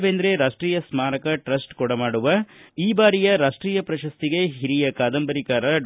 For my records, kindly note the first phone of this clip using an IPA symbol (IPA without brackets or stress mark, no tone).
ʋ